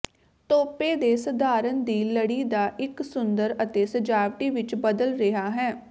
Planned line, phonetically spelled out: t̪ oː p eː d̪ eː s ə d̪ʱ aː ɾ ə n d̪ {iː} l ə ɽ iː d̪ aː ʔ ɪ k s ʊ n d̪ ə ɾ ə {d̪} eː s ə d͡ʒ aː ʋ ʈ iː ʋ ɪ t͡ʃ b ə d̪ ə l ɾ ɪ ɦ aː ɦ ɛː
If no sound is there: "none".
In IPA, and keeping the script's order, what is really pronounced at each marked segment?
iː, t̪

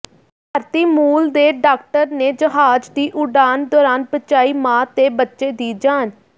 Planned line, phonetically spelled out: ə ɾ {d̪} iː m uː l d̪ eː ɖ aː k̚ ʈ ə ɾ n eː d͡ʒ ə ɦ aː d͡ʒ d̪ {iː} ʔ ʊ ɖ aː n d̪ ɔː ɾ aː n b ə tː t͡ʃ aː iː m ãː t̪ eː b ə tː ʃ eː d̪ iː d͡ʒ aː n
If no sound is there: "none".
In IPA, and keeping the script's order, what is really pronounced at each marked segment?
t̪, iː

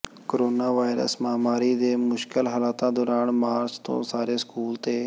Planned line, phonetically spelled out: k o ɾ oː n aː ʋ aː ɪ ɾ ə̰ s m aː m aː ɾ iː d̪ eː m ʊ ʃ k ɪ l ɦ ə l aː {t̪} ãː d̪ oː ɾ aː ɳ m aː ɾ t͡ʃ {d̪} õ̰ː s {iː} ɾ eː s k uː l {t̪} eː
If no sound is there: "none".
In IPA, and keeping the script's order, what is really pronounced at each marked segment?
t̪, t̪, aː, t̪

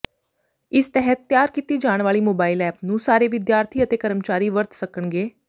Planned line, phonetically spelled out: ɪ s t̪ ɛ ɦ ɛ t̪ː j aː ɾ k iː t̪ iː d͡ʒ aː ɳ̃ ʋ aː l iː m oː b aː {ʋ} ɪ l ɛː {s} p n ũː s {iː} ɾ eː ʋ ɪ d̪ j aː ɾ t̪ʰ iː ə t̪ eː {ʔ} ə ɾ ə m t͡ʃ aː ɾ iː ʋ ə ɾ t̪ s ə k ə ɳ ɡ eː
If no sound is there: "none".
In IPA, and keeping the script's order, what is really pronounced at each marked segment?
none, none, aː, k

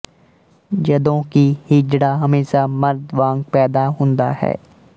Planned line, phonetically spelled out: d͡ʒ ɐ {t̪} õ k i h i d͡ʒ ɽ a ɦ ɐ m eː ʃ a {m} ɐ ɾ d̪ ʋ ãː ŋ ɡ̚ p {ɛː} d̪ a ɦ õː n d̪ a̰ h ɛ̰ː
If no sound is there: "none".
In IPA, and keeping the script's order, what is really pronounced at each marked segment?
d̪, m, ɛː

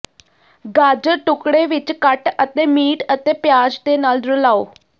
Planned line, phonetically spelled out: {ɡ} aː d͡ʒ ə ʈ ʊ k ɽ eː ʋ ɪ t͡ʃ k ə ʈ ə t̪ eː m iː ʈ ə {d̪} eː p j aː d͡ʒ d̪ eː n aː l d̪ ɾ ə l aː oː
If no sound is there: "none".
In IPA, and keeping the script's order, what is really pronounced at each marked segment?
ɡ, t̪

